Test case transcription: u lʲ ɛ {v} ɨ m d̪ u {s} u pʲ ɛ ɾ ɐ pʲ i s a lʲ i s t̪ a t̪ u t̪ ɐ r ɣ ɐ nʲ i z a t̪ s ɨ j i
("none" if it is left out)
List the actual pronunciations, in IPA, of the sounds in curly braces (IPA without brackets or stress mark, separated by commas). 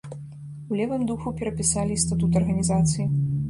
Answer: v, x